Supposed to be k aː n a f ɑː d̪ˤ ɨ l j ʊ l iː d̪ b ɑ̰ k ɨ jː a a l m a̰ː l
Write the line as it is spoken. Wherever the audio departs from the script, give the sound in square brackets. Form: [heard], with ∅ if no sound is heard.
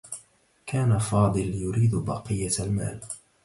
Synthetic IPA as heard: k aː n a f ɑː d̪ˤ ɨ l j ʊ [ɾ] iː d̪ b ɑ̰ [q] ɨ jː a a l m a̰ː l